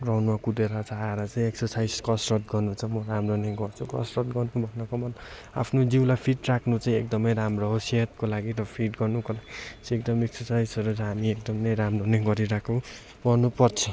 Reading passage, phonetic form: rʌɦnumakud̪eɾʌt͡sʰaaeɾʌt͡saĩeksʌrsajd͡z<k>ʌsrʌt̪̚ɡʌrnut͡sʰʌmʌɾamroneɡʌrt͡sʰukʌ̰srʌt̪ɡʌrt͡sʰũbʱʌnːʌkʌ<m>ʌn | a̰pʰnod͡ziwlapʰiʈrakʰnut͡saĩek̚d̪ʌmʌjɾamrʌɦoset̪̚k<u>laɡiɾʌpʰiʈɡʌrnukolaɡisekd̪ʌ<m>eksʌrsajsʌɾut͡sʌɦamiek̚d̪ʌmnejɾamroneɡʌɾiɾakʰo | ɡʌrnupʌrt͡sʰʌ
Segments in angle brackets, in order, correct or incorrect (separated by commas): correct, correct, incorrect, correct